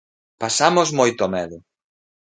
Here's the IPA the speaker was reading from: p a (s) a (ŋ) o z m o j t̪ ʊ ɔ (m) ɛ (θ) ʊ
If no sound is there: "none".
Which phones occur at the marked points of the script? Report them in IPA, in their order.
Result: s, m, m, ð

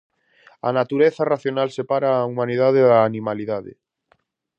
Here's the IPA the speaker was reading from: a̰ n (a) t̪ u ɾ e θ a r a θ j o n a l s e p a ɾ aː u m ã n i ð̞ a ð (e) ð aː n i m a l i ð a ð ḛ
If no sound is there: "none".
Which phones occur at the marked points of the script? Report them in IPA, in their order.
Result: a, e

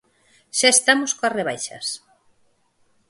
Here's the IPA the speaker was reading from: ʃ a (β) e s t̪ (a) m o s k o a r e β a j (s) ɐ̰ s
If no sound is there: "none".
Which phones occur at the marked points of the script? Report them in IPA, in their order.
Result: none, a, ʃ

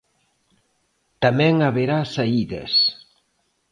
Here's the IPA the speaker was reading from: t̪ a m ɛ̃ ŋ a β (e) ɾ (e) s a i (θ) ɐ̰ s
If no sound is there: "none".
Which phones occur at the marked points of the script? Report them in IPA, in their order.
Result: e, a, ð

